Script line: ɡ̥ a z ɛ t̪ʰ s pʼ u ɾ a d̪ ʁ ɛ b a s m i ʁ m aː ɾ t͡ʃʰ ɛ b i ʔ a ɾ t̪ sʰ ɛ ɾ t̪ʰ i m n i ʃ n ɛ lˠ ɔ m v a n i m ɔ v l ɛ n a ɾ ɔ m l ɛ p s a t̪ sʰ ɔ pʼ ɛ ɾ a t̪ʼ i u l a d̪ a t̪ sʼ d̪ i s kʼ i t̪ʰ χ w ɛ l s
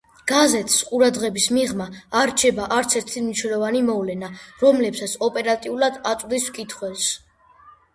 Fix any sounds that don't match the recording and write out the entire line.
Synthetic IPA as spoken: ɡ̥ a z ɛ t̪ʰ s qʼ u ɾ a d̪ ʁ ɛ b i s m i ʁ m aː ɾ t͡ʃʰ ɛ b a ʔ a ɾ t̪ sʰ ɛ ɾ t̪ʰ i m n i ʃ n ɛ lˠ ɔ v a n i m ɔ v l ɛ n a ɾ ɔ m l ɛ p s a t̪ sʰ ɔ pʼ ɛ ɾ a t̪ʼ i u l a d̪ a t̪ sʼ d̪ i s kʼ i t̪ʰ χ w ɛ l s